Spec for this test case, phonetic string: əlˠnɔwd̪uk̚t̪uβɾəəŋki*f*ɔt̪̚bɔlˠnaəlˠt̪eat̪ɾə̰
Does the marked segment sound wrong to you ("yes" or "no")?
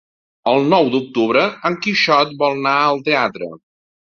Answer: yes